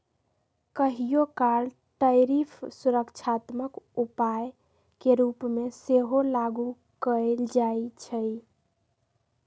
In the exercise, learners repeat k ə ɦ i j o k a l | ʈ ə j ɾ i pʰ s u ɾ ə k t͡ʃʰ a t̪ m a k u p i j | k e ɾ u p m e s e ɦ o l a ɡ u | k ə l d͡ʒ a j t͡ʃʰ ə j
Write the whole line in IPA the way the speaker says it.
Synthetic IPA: k ə ɦ i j o k a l | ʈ ə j ɾ i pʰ s u ɾ ə k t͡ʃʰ a t̪ m ə k u p a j | k e ɾ u p m e s e ɦ o l a ɡ u | k ə l d͡ʒ a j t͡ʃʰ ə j